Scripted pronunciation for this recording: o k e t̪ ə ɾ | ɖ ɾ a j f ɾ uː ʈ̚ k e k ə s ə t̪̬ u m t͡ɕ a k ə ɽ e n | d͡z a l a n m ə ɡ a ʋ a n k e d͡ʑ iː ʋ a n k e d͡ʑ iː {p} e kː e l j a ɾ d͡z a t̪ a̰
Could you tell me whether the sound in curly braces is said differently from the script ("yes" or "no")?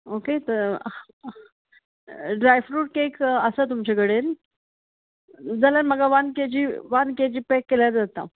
no